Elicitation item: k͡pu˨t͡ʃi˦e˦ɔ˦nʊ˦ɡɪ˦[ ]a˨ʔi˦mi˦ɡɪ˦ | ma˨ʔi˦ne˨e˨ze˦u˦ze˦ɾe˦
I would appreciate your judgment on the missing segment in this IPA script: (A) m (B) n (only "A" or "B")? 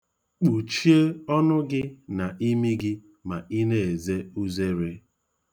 B